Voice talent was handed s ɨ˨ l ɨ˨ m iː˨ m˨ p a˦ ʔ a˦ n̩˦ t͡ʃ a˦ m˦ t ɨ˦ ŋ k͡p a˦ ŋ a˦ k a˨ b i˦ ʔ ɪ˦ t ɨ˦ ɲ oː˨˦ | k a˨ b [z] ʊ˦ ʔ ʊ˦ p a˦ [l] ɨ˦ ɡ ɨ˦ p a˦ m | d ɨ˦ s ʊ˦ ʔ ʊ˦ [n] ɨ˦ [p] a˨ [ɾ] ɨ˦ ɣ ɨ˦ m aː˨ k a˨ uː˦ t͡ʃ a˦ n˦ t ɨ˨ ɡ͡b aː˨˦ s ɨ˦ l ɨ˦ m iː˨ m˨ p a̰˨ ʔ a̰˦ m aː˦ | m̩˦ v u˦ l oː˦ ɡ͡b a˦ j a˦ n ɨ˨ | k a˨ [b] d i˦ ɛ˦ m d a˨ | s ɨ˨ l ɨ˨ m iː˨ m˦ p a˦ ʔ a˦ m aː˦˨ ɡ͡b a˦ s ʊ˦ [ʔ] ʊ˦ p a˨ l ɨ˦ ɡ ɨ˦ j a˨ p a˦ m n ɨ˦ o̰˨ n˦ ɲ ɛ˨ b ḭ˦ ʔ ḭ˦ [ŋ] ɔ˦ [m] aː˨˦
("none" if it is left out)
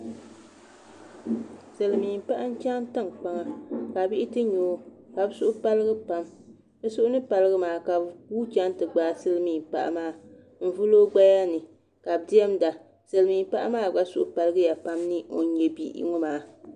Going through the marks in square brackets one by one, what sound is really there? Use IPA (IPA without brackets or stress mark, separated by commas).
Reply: s, l, n, p, l, b, ʔ, ŋ, m